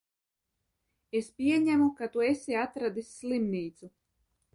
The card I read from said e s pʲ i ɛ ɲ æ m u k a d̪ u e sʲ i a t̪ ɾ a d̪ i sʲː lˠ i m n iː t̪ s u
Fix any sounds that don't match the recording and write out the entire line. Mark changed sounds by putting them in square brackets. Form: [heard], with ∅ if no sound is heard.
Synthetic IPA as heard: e s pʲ i ɛ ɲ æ m u k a [t̪] u e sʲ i a t̪ ɾ a d̪ i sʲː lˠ i m n iː t̪ s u